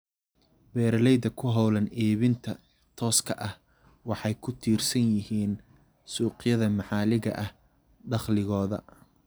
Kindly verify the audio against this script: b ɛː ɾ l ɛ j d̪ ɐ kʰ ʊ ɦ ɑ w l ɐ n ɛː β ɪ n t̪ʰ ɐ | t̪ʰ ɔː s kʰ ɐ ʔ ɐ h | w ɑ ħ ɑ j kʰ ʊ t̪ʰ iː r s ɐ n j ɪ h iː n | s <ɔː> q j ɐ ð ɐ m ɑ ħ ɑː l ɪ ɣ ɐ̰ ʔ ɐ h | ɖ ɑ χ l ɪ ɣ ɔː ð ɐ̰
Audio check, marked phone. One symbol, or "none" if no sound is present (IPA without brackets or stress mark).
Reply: uː